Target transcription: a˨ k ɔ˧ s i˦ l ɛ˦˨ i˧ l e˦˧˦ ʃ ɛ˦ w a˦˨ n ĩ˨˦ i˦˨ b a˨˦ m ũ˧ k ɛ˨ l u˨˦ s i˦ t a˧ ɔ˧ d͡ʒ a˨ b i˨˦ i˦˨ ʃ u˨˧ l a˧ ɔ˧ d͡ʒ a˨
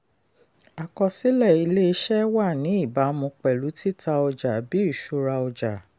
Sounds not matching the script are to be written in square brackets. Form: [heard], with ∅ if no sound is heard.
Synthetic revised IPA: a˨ k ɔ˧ s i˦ l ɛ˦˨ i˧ l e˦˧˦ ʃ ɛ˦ w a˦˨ n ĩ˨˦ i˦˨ b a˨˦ m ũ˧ [k͡p] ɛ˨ l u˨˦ [t] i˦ t a˧ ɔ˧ d͡ʒ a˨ b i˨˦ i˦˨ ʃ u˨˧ [ɾ] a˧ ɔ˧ d͡ʒ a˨